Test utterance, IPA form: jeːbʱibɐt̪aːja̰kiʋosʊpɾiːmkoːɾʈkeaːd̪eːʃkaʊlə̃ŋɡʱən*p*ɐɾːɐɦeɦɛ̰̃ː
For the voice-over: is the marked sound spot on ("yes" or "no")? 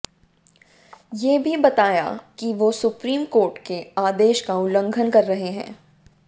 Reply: no